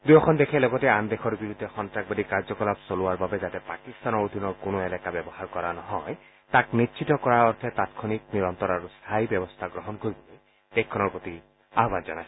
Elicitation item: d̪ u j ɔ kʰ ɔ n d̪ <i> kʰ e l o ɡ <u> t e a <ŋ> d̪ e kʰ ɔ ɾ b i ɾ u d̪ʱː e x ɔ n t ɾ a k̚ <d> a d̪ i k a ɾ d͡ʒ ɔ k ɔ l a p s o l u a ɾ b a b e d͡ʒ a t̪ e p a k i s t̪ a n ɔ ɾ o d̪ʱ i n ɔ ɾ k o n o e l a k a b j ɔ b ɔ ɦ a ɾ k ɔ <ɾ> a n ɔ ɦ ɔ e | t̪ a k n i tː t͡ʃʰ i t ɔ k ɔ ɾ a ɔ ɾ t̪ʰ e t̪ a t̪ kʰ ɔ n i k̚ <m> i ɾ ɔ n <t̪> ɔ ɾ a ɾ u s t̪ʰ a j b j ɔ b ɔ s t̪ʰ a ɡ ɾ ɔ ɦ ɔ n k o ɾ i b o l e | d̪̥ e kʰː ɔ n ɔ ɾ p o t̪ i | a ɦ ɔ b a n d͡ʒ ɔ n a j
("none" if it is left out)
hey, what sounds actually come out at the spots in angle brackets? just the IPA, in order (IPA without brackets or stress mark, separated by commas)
e, ɔ, n, b, ɾ, n, t̪